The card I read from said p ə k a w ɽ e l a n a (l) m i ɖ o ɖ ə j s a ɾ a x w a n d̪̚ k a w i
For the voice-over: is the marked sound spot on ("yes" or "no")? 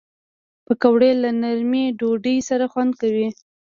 no